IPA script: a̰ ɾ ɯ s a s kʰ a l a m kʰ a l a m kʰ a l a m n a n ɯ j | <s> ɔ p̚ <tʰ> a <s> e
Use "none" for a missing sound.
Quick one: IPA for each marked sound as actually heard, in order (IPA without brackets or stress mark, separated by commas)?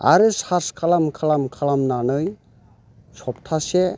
s, tʰ, s